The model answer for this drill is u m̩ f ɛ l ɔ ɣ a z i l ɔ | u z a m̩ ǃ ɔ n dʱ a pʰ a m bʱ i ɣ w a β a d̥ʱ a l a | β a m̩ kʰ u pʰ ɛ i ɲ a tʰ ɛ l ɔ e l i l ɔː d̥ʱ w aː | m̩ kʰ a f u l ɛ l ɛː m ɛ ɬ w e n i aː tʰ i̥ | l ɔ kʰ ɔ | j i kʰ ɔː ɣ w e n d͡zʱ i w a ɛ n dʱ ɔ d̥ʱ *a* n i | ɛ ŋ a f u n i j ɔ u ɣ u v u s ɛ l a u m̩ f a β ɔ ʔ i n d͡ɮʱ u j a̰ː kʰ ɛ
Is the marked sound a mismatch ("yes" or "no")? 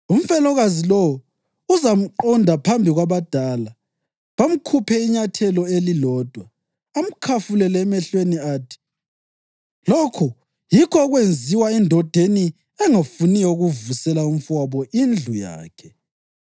yes